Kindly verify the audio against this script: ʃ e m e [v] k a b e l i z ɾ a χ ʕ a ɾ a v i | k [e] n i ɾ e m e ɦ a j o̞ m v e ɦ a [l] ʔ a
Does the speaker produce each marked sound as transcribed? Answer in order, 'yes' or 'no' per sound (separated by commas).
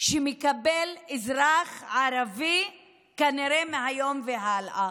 no, no, yes